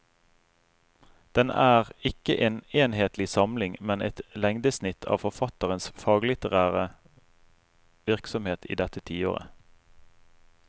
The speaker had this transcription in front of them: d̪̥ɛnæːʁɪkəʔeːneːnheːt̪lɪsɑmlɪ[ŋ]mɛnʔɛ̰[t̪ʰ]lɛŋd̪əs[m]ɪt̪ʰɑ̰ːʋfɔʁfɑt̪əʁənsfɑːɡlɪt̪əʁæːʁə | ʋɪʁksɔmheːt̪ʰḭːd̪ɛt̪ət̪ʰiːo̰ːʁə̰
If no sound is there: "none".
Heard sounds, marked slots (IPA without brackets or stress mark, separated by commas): ŋ, t̪, n